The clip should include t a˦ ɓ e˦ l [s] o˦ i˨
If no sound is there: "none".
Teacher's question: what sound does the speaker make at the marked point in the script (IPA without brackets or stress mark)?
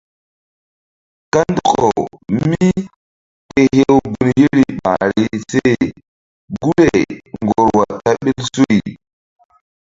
s